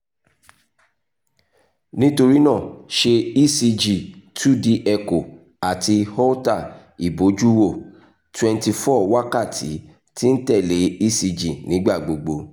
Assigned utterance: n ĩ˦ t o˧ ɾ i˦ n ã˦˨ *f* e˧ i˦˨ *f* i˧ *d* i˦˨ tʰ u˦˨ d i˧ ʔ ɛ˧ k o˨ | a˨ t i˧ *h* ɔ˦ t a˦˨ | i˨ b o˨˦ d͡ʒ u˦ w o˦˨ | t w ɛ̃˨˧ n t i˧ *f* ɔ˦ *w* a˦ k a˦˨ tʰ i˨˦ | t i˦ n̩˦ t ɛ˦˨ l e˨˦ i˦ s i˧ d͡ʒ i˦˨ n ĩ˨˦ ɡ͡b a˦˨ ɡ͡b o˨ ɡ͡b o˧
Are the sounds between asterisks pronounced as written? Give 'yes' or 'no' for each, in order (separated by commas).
no, no, no, yes, yes, yes